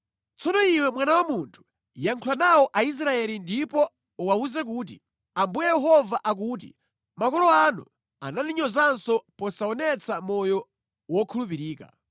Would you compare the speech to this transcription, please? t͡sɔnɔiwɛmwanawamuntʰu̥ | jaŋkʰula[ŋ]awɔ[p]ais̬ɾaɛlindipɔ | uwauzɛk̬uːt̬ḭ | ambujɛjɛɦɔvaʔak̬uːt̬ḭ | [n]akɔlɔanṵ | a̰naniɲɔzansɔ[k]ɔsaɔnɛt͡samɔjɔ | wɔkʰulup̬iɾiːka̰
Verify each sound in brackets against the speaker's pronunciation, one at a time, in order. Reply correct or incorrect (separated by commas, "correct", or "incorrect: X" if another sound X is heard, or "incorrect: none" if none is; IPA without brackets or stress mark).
incorrect: n, incorrect: ʔ, incorrect: m, incorrect: p